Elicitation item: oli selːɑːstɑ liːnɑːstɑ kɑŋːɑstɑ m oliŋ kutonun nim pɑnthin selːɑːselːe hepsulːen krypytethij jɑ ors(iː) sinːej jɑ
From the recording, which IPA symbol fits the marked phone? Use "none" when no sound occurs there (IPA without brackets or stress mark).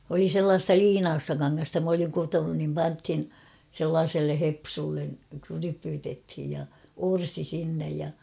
i